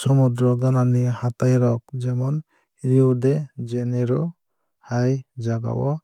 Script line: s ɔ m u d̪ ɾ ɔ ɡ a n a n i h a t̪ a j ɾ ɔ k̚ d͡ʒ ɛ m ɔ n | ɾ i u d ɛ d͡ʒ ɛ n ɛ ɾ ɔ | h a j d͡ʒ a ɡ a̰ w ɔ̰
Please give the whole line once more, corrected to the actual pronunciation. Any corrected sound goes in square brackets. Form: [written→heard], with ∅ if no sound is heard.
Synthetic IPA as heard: s ɔ m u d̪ ɾ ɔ ɡ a n a n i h a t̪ a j ɾ ɔ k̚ d͡ʒ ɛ m ɔ n | ɾ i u d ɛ d͡ʒ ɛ n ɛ ɾ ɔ | h a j d͡ʒ a ɡ a̰ w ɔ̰